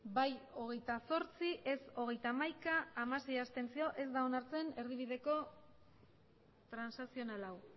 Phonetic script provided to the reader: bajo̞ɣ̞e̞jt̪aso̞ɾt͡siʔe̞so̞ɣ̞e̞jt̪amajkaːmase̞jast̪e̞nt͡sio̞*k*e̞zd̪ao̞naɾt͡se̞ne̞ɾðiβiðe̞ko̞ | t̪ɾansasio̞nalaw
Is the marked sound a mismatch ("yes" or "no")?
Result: yes